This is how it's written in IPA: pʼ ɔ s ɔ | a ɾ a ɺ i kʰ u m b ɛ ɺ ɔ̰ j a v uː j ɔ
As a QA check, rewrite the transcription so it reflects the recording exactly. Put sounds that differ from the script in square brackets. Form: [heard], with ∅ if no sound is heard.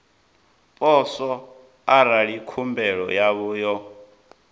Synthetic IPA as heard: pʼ ɔ s ɔ | a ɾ a ɺ i kʰ u m b ɛ ɺ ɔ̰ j a [β] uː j ɔ